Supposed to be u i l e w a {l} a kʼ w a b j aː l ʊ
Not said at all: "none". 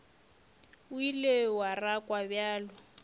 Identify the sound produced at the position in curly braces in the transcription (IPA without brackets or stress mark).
r